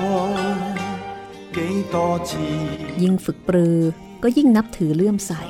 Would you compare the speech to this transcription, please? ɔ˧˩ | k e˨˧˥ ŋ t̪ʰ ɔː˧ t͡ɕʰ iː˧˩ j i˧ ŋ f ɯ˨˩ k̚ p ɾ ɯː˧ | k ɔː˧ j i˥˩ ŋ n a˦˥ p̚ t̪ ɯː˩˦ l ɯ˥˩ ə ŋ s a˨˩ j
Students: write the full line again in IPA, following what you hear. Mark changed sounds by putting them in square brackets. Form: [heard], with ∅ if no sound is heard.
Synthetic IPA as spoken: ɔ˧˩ | k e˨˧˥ ŋ [t̪] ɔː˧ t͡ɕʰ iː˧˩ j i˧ ŋ f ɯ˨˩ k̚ p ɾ ɯː˧ | k [ɔː˥˩] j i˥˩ ŋ n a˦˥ p̚ [t̪ʰ] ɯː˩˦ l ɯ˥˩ ə [m] s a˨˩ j